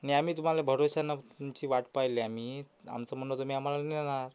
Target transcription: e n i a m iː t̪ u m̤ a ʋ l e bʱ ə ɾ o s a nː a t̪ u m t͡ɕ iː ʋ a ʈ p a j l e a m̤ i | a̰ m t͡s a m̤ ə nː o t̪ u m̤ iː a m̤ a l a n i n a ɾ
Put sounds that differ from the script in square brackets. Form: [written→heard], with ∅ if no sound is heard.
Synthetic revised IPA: [e→a] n i a m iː t̪ u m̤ a [ʋ→∅] l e bʱ ə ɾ o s a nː a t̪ u m t͡ɕ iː ʋ a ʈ p a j l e a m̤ i | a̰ m t͡s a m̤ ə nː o t̪ u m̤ iː a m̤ a l a n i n a ɾ